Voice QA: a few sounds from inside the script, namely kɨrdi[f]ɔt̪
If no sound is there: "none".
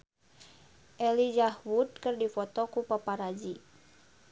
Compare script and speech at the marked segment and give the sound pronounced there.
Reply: f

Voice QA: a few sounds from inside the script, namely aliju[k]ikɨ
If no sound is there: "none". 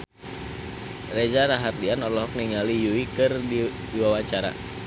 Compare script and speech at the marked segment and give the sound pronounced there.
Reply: none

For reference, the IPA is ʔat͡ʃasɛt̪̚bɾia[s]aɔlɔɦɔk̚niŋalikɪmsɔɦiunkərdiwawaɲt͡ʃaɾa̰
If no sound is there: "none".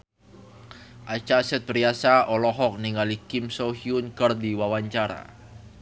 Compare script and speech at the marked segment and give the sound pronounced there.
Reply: s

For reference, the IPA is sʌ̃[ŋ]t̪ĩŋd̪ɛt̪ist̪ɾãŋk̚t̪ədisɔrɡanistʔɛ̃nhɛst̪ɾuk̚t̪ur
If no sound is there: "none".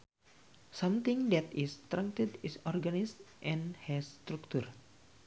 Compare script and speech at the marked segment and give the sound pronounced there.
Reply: m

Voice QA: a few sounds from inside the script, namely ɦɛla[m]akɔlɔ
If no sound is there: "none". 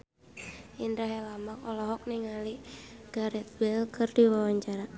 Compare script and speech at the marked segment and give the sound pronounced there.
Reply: m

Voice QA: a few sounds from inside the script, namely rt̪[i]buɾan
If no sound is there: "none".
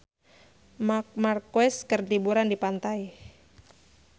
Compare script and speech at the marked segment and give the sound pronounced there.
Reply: i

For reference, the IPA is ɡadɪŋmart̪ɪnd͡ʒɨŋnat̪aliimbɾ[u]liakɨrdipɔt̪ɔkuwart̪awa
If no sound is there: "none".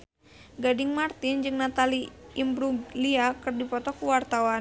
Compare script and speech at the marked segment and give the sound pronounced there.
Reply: u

